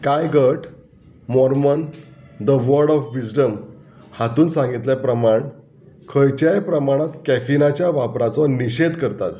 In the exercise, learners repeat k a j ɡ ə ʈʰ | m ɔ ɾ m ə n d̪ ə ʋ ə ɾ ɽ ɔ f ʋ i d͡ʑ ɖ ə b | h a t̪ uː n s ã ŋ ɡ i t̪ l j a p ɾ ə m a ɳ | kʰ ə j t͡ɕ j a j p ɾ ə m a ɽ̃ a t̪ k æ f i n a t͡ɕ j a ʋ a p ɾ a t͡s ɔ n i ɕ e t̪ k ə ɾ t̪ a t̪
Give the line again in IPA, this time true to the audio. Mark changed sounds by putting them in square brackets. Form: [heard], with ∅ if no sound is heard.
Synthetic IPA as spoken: k a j ɡ ə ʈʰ | m ɔ ɾ m ə n d̪ ə ʋ ə ɾ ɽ ɔ f ʋ i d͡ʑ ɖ ə [m] | h a t̪ uː n s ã ŋ ɡ i t̪ l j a p ɾ ə m a ɳ | kʰ ə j t͡ɕ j a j p ɾ ə m a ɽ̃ a t̪ k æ f i n a t͡ɕ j a ʋ a p ɾ a t͡s ɔ n i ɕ e [d̪] k ə ɾ t̪ a t̪

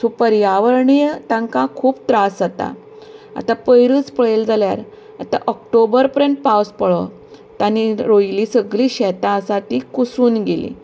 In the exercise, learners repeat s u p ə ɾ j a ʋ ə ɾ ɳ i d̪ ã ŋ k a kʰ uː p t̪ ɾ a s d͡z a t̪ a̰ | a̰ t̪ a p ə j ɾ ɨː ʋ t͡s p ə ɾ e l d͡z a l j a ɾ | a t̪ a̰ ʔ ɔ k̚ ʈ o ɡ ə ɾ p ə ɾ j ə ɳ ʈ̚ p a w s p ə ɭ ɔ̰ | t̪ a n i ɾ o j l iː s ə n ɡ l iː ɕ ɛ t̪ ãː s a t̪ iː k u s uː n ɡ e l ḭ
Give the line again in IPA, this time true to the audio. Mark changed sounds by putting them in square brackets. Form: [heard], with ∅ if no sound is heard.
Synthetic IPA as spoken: s u p ə ɾ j a ʋ ə ɾ ɳ i [t̪] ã ŋ k a kʰ uː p t̪ ɾ a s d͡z a t̪ a̰ | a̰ t̪ a p ə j ɾ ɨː [∅] t͡s p ə [ɭ] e l d͡z a l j a ɾ | a t̪ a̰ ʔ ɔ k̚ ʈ o [b] ə ɾ p ə ɾ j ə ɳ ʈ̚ p a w s p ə ɭ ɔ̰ | t̪ a n i ɾ o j l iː s ə [∅] ɡ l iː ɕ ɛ t̪ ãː s a t̪ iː k u s uː n ɡ e l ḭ

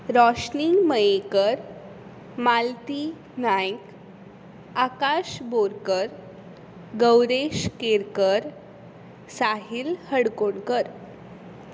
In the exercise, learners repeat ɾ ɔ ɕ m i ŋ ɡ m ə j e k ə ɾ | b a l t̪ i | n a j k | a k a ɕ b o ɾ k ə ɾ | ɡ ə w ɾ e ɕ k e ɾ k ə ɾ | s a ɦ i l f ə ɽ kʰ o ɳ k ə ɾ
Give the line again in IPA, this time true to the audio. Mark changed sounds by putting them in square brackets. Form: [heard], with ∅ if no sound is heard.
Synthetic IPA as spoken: ɾ ɔ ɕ [n] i ŋ ɡ m ə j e k ə ɾ | [m] a l t̪ i | n a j k | a k a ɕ b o ɾ k ə ɾ | ɡ ə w ɾ e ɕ k e ɾ k ə ɾ | s a ɦ i l [h] ə ɽ [k] o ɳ k ə ɾ

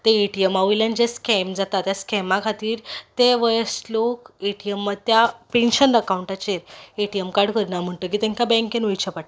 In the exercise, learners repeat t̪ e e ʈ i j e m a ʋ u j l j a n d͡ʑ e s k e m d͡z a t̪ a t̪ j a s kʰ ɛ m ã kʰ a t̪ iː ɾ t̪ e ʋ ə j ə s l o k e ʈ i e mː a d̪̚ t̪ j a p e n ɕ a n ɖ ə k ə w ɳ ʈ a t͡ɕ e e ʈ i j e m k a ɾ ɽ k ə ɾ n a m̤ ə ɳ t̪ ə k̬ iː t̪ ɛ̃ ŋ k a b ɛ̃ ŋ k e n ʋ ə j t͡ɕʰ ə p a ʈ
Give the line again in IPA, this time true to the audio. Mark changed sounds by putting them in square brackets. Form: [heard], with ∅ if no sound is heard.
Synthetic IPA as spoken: t̪ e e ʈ i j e m a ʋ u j l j a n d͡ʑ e s k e m d͡z a t̪ a t̪ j a s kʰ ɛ m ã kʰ a t̪ iː ɾ t̪ e ʋ ə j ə s l o k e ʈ i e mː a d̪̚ t̪ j a p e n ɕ [ə] n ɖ ə k [a] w ɳ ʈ a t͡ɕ e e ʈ i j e m k a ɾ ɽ k ə ɾ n a m̤ ə ɳ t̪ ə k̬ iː t̪ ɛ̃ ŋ k a b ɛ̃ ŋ k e n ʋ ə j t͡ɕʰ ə p a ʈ

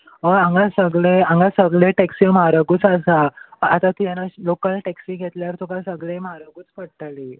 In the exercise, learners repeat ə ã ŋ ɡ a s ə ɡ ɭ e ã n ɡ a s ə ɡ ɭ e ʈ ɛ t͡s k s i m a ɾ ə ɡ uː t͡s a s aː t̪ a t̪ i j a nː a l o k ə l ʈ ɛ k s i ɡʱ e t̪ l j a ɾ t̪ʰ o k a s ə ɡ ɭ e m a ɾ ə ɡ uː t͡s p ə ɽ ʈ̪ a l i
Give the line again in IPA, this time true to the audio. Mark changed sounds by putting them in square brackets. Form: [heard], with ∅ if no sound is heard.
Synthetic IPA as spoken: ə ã ŋ ɡ a s ə ɡ ɭ e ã [ŋ] ɡ a s ə ɡ ɭ e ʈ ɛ [∅] k s i m a ɾ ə ɡ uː t͡s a s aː t̪ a t̪ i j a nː a l o k ə l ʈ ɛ k s i ɡʱ e t̪ l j a ɾ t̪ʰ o k a s ə ɡ ɭ e m a ɾ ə ɡ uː t͡s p ə ɽ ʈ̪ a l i

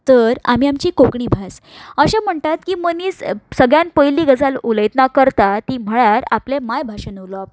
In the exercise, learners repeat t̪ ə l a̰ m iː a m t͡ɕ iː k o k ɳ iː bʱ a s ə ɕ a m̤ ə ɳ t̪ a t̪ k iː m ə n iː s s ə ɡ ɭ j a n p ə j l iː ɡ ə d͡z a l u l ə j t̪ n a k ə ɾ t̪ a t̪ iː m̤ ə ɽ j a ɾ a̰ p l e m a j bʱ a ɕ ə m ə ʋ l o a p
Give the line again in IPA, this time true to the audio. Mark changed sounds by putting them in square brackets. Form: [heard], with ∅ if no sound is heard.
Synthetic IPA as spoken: t̪ ə [ɾ] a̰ m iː a m t͡ɕ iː k o k ɳ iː bʱ a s ə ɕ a m̤ ə ɳ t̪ a t̪ k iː m ə n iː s s ə ɡ ɭ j a n p ə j l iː ɡ ə d͡z a l u l ə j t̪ n a k ə ɾ t̪ a t̪ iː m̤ ə [ɭ] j a ɾ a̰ p l e m a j bʱ a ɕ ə [n] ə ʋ l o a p

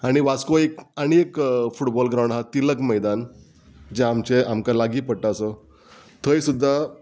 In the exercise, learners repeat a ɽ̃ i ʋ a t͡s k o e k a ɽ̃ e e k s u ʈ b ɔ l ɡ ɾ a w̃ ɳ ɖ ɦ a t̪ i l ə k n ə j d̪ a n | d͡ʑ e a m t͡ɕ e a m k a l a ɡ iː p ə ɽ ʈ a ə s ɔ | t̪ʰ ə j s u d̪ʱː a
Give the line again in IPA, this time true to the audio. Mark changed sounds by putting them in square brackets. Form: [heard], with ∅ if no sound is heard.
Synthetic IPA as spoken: a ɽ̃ i ʋ a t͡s k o e k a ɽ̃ [i] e k [f] u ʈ b ɔ l ɡ ɾ a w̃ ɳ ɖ ɦ a t̪ i l ə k [m] ə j d̪ a n | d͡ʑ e a m t͡ɕ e a m k a l a ɡ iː p ə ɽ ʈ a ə s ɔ | t̪ʰ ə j s u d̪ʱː a

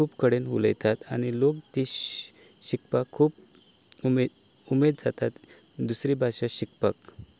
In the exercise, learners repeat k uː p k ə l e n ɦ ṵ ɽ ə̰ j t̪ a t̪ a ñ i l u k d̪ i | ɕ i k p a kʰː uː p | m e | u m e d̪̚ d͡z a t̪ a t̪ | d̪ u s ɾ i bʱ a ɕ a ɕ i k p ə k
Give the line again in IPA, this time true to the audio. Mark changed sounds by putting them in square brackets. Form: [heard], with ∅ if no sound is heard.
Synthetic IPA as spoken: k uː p k ə [ɽ] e n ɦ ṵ [l] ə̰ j t̪ a t̪ a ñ i l [o] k [t̪] i | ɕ i k p a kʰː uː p | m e | u m e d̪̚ d͡z a t̪ a t̪ | d̪ u s ɾ i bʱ a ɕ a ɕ i k p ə k

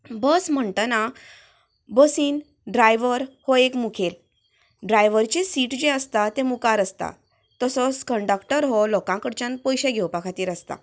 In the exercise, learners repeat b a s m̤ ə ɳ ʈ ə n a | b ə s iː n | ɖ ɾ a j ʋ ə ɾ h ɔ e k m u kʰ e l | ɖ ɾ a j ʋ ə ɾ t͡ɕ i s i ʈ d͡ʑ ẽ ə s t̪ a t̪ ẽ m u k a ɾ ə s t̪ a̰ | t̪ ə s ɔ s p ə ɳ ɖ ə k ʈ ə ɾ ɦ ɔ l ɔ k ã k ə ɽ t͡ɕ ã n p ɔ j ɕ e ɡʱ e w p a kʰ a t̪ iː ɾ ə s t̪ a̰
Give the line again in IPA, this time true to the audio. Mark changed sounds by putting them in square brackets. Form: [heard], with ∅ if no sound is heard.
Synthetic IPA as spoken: b [ə] s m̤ ə ɳ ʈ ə n a | b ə s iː n | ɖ ɾ a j ʋ ə ɾ h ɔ e k m u kʰ e l | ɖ ɾ a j ʋ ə ɾ t͡ɕ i s i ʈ d͡ʑ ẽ ə s t̪ a t̪ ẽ m u k a ɾ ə s t̪ a̰ | t̪ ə s ɔ s [k] ə ɳ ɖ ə k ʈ ə ɾ ɦ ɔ l ɔ k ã k ə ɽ t͡ɕ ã n p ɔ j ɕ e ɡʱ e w p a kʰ a t̪ iː ɾ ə s t̪ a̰

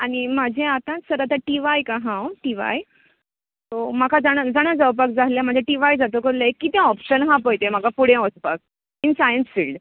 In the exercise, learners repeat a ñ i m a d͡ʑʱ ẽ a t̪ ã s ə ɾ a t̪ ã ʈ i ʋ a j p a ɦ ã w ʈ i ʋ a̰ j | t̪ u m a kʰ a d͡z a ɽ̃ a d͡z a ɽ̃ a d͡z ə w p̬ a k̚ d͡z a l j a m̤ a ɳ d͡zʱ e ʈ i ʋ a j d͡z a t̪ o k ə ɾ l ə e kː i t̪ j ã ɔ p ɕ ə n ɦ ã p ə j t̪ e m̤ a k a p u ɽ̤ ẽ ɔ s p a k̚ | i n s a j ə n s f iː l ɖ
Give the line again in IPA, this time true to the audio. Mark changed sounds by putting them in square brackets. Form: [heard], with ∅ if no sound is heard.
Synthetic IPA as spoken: a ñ i m a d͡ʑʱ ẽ a t̪ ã s ə ɾ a t̪ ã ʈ i ʋ a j [k] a ɦ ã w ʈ i ʋ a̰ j | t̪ [o] m a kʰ a d͡z a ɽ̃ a d͡z a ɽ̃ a d͡z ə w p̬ a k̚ d͡z a l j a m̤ [ə] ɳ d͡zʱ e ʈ i ʋ a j d͡z a t̪ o k ə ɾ l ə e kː i t̪ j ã ɔ p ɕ ə n ɦ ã p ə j t̪ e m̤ a k a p u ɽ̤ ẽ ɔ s p a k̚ | i n s a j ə n s f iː l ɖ

